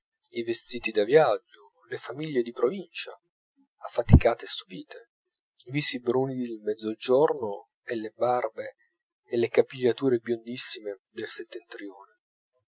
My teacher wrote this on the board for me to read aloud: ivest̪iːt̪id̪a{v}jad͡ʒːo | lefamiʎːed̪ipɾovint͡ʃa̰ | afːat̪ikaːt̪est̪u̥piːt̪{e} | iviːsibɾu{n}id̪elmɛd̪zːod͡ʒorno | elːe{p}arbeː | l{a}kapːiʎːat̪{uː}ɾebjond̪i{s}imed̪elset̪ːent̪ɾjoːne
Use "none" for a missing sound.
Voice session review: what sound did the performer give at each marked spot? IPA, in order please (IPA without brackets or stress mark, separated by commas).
v, e, n, b, e, uː, sː